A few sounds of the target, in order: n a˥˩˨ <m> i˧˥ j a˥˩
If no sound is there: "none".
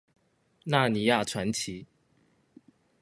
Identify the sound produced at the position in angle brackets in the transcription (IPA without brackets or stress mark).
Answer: n